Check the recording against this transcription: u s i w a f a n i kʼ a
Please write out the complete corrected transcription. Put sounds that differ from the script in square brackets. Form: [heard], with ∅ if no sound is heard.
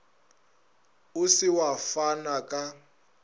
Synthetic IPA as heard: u s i w a f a n [a] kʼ a